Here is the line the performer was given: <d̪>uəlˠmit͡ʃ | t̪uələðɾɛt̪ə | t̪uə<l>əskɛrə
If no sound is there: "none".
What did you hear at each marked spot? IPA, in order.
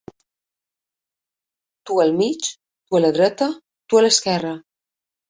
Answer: t̪, l

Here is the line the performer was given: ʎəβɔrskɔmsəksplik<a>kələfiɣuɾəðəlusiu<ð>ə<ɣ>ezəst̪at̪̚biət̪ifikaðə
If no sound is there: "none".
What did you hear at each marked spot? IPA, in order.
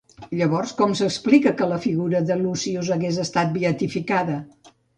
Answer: ə, z, ɣ

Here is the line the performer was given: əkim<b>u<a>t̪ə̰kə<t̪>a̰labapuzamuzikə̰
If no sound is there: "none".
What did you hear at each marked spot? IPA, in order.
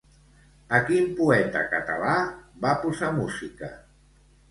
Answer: p, ɛ, t̪

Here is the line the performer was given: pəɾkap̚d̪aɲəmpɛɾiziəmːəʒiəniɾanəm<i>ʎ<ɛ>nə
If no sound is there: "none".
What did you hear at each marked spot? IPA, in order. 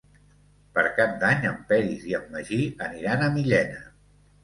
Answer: i, ɛ

